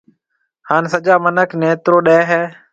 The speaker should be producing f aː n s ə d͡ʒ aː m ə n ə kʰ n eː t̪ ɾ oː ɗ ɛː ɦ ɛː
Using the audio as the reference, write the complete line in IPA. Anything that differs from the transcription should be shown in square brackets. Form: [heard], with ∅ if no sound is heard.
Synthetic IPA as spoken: [h] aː n s ə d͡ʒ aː m ə n ə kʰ n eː t̪ ɾ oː ɗ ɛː ɦ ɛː